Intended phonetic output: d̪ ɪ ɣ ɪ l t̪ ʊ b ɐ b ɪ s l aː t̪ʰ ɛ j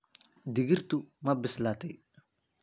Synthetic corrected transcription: d̪ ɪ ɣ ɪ r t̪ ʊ m ɐ b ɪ s l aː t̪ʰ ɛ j